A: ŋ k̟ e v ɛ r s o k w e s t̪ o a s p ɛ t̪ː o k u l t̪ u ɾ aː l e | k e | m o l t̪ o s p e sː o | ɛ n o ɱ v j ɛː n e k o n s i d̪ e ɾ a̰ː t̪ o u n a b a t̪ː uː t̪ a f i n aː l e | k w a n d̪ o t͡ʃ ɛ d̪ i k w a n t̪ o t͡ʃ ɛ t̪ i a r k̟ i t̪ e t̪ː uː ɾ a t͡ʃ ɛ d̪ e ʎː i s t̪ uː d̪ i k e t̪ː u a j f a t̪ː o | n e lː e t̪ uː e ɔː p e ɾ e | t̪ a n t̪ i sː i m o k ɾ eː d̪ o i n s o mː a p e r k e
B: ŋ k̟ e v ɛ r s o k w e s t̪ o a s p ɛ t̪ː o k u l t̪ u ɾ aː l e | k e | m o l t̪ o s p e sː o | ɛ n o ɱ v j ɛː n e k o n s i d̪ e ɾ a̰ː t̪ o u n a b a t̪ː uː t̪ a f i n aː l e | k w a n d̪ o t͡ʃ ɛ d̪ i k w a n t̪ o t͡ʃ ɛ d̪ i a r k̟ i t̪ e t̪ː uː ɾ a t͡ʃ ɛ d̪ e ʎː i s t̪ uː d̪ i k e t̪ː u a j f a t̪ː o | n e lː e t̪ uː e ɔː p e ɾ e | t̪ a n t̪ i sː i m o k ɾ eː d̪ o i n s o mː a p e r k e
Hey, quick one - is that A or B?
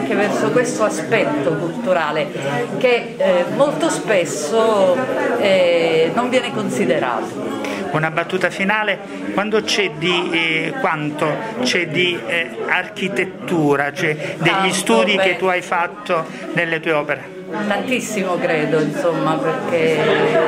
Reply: B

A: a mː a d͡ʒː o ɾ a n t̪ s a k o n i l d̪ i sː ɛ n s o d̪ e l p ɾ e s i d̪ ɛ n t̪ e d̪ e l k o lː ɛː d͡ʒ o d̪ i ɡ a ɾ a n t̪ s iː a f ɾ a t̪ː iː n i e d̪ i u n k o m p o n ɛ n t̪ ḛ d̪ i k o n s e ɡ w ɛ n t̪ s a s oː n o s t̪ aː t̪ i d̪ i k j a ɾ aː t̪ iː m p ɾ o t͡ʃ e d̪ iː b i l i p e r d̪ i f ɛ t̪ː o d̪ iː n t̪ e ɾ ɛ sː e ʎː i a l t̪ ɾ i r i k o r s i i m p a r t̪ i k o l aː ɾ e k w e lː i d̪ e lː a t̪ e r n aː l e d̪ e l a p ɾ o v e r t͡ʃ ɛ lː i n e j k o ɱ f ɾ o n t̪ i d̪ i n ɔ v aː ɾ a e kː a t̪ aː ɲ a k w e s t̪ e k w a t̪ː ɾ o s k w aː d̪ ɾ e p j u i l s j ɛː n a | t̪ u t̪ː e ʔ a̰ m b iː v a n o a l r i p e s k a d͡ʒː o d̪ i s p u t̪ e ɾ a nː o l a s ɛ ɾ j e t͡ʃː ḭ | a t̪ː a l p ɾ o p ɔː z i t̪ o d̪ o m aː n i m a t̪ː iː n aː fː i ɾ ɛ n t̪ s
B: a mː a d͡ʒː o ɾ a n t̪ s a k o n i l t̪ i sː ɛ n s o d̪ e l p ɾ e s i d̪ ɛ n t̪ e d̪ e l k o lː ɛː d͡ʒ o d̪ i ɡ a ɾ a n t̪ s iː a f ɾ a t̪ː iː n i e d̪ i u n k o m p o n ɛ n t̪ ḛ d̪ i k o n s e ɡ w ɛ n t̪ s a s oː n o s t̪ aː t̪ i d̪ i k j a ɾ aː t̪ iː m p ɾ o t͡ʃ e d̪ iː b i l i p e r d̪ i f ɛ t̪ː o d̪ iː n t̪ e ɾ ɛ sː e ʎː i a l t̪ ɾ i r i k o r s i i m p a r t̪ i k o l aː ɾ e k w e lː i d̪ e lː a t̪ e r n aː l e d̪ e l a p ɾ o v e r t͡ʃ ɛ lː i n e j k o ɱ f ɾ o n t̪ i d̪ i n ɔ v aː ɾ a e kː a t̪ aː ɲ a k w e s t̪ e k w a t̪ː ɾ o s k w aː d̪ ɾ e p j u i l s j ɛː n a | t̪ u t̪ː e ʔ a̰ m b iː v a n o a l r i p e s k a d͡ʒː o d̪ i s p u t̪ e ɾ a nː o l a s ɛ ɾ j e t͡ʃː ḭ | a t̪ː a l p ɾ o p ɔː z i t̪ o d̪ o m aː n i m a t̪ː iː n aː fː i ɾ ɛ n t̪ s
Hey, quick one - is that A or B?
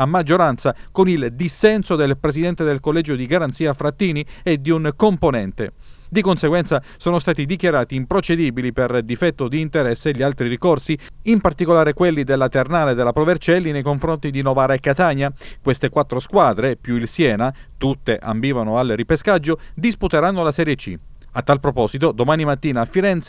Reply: A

